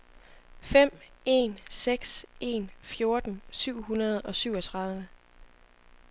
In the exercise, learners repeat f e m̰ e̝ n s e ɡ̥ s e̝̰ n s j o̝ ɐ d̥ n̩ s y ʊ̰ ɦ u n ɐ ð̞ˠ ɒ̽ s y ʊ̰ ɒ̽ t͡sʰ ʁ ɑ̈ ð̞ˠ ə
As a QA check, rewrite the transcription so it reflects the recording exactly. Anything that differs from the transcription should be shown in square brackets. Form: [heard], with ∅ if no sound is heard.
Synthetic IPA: f e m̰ e̝ n s e ɡ̥ s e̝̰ n [f] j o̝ ɐ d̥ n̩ s y ʊ̰ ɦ u n ɐ ð̞ˠ ɒ̽ s y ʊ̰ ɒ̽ t͡sʰ ʁ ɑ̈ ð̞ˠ ə